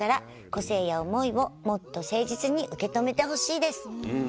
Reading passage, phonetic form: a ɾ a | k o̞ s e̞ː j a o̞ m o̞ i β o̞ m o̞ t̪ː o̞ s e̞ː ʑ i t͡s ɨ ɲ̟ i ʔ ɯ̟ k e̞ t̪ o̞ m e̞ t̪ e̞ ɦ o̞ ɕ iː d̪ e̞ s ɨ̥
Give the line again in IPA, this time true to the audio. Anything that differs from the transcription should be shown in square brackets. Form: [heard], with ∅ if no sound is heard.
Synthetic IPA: a ɾ a | k o̞ s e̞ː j a o̞ m o̞ i β o̞ m o̞ t̪ː o̞ s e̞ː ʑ i t͡s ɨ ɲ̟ i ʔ ɯ̟ k e̞ t̪ o̞ m e̞ t̪ e̞ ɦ o̞ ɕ iː d̪ e̞ s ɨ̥